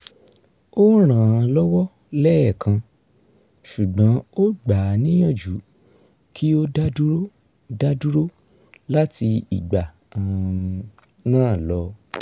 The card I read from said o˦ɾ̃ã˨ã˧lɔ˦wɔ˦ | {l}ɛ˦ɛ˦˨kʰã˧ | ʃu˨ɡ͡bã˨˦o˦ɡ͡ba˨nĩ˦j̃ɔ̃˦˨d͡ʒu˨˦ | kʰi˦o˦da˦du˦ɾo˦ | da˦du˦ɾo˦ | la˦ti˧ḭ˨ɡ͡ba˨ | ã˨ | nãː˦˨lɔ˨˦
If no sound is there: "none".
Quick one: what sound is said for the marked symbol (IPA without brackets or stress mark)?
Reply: l